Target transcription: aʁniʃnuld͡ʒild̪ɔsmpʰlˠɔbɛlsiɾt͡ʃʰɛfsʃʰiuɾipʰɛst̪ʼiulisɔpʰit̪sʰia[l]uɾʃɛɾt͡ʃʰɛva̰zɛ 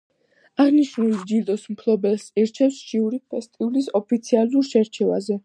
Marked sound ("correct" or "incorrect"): correct